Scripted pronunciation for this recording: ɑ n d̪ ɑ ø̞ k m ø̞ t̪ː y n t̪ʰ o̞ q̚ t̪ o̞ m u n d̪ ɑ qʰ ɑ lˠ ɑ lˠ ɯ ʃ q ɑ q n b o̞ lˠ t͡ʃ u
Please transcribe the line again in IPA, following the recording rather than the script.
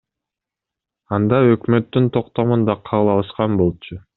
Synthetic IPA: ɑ n d̪ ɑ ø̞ k m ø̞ t̪ː y n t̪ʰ o̞ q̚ t̪ o̞ m u n d̪ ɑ qʰ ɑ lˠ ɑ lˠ ɯ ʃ q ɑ n b o̞ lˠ t͡ʃ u